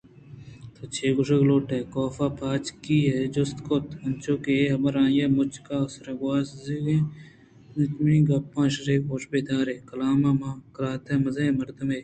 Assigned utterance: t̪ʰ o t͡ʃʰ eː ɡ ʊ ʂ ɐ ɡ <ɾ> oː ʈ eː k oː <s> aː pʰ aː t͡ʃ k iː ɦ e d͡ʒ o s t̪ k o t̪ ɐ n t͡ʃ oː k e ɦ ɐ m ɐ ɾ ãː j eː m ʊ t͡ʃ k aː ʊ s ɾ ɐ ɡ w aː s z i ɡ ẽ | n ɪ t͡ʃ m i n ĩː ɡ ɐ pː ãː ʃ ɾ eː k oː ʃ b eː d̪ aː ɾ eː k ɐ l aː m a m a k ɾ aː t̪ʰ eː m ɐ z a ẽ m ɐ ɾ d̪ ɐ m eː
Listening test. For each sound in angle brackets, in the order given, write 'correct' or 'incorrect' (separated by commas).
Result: incorrect, incorrect